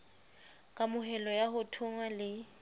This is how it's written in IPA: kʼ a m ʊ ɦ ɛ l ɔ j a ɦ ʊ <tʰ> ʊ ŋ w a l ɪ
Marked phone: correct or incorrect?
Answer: correct